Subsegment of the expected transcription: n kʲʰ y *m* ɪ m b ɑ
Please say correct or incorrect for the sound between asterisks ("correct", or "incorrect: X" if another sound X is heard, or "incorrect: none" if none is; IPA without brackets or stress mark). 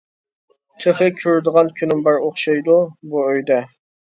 incorrect: n